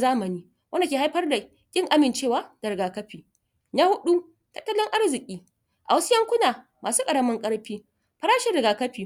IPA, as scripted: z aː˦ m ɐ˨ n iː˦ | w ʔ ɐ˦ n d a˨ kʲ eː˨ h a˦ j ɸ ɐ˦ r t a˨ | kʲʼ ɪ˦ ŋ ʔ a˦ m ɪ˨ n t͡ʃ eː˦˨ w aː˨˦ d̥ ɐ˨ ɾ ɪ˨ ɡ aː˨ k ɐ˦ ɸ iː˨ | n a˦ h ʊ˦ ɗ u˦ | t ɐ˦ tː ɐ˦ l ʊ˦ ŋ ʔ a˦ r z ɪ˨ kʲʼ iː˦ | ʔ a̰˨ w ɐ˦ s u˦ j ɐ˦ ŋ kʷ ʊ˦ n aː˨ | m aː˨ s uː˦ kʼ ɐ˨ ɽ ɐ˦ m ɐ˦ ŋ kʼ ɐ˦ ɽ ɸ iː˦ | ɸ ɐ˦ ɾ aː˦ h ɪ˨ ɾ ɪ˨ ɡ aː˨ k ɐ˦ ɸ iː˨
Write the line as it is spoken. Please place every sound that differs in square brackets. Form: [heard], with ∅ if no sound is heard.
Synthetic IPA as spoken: z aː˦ m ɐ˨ n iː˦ | w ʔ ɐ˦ n d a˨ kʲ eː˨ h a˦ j ɸ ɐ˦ r [d] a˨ | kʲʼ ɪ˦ ŋ ʔ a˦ m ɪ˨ n t͡ʃ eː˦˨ w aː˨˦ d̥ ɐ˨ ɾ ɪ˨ ɡ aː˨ k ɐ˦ ɸ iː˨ | n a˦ h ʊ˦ ɗ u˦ | t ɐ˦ tː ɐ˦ l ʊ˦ ŋ ʔ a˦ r z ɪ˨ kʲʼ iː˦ | ʔ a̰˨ w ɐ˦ s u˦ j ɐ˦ ŋ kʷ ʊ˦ n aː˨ | m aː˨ s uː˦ kʼ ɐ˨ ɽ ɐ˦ m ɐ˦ ŋ kʼ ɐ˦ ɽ ɸ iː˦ | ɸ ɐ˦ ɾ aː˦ [ʃ] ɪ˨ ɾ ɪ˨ ɡ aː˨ k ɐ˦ ɸ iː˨

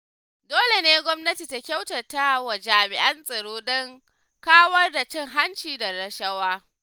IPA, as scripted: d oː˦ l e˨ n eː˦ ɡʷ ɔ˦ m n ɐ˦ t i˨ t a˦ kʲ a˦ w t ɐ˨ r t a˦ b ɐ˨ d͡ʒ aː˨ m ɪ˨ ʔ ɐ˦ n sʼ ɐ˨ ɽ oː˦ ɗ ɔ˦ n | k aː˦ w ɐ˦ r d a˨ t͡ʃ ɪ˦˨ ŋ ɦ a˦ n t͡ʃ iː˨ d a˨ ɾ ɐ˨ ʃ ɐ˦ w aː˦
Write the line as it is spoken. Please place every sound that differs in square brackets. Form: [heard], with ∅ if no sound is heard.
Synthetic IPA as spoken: d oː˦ l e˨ n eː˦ ɡʷ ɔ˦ m n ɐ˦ t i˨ t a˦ kʲ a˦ w t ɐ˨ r t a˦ [w] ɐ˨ d͡ʒ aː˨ m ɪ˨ ʔ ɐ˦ n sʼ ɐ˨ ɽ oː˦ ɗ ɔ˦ [ŋ] | k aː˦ w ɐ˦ r d a˨ t͡ʃ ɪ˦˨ ŋ ɦ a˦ n t͡ʃ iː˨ d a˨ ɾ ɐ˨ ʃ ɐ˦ w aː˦

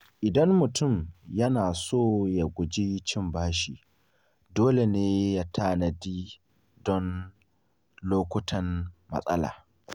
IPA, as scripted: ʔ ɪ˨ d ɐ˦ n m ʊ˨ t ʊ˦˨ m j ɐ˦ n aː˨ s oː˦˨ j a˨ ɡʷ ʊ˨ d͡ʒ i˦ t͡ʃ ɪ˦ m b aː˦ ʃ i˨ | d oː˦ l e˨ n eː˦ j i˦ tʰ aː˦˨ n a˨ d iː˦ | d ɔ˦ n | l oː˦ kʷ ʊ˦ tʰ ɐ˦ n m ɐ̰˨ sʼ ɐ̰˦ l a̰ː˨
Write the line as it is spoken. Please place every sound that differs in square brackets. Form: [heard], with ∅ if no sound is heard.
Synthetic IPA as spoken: ʔ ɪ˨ d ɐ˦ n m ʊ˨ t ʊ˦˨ m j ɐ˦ n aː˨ s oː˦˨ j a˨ ɡʷ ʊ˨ d͡ʒ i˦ t͡ʃ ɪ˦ m b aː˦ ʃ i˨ | d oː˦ l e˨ n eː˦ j [a˦] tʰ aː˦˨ n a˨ d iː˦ | d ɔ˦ n | l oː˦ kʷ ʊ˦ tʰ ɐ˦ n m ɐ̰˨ sʼ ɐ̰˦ l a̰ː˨

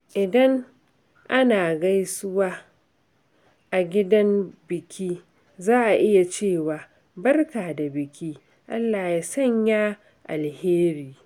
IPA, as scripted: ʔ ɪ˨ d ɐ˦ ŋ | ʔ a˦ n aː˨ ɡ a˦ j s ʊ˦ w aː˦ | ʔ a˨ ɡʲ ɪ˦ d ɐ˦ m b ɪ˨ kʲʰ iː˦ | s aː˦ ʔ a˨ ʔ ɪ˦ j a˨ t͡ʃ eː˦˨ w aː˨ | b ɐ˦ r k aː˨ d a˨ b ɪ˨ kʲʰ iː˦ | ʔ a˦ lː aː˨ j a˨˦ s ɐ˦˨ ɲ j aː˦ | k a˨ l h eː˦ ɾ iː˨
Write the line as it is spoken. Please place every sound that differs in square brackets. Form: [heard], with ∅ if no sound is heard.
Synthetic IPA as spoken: ʔ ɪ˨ d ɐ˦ ŋ | ʔ a˦ n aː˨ ɡ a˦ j s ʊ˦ w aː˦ | ʔ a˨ ɡʲ ɪ˦ d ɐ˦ m b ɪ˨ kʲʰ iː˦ | [z] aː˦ ʔ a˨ ʔ ɪ˦ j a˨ t͡ʃ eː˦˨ w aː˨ | b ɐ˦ r k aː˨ d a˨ b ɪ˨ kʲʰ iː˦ | ʔ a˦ lː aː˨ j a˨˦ s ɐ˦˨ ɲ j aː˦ | [ʔ] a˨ l h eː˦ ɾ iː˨

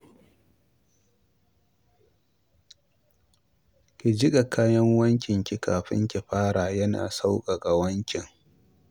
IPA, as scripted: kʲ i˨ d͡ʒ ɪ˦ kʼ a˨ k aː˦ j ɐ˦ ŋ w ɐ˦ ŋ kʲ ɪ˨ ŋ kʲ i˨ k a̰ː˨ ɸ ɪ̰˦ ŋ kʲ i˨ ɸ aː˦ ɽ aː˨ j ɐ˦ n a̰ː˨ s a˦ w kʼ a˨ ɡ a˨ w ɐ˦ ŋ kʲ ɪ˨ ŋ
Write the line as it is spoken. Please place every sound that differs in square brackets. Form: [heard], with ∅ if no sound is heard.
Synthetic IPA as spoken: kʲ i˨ d͡ʒ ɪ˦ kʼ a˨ k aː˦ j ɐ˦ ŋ w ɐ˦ ŋ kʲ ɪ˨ ŋ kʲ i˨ k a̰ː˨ ɸ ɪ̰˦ ŋ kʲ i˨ ɸ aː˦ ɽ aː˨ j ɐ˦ n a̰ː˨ s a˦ w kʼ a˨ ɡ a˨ w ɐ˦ ŋ kʲ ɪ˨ ŋ

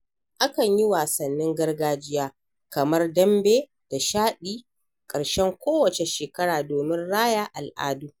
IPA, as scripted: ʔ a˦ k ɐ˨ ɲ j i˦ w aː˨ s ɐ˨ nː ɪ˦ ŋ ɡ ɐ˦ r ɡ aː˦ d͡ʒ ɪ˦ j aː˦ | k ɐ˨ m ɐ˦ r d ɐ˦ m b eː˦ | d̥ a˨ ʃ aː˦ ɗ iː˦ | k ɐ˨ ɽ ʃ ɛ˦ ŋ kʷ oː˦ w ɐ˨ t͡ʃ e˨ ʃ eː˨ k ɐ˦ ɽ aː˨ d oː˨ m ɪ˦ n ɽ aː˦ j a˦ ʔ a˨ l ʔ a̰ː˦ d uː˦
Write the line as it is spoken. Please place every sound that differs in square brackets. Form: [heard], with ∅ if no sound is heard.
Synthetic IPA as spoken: ʔ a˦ k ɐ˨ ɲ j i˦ w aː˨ s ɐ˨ nː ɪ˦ ŋ ɡ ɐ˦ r ɡ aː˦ d͡ʒ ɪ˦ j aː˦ | k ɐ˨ m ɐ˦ r d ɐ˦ m b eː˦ | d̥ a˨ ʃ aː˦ ɗ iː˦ | [kʼ] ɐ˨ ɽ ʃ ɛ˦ ŋ kʷ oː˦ w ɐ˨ t͡ʃ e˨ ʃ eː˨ k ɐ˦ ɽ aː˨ d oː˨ m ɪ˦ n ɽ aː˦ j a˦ ʔ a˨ l ʔ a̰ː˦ d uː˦

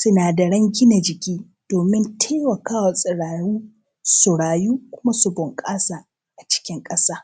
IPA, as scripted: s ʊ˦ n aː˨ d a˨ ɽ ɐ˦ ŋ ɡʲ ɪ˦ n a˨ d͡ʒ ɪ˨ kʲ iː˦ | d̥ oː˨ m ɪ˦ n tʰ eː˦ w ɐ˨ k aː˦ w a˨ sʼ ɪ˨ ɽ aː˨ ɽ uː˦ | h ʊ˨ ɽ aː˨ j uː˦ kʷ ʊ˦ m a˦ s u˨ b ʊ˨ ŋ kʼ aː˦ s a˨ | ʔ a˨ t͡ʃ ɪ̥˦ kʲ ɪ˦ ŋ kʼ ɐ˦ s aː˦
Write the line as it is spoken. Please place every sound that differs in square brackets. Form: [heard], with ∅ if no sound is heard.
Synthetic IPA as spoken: s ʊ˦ n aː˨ d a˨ ɽ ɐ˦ ŋ ɡʲ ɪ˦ n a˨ d͡ʒ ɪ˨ kʲ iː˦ | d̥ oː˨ m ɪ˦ n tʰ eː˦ w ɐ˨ k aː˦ w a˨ sʼ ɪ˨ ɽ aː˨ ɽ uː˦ | [s] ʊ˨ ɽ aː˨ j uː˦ kʷ ʊ˦ m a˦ s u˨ b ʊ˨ ŋ kʼ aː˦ s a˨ | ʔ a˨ t͡ʃ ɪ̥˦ kʲ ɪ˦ ŋ kʼ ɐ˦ s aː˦

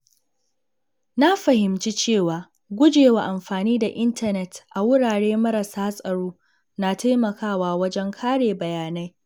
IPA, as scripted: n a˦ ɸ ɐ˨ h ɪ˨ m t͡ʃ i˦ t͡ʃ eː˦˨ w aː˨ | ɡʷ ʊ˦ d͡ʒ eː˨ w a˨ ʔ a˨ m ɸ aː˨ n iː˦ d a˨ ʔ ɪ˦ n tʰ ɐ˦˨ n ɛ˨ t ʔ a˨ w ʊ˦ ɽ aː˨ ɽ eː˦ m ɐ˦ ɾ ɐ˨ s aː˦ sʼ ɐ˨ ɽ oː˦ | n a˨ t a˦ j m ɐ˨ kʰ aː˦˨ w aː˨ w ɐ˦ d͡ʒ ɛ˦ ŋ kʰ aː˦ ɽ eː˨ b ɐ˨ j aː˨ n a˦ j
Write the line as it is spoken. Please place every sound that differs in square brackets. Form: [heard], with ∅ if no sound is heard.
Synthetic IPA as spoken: n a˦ ɸ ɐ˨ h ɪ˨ m t͡ʃ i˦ t͡ʃ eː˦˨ w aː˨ | ɡʷ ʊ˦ d͡ʒ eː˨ w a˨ ʔ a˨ m ɸ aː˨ n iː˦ d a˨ ʔ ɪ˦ n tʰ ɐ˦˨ n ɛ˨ t ʔ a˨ w ʊ˦ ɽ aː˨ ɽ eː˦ m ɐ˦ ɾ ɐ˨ s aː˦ sʼ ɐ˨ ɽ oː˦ | n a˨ t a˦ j m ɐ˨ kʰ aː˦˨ w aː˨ w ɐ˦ d͡ʒ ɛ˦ ŋ kʰ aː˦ ɽ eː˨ b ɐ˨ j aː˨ n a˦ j

